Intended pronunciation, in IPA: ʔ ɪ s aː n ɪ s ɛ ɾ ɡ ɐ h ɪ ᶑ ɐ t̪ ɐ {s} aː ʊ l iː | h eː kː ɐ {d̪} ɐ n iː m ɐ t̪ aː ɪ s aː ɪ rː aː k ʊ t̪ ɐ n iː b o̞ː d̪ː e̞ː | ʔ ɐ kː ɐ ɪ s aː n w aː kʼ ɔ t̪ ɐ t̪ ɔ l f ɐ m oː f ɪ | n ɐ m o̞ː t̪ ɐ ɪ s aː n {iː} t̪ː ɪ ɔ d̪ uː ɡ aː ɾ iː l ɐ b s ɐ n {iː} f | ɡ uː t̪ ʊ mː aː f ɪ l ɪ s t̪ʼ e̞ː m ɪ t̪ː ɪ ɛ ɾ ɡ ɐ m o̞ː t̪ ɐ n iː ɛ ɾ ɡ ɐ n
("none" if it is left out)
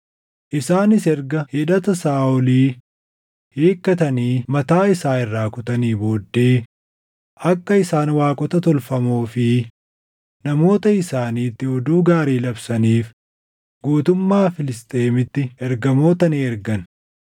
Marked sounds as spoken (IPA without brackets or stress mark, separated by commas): s, t̪, iː, iː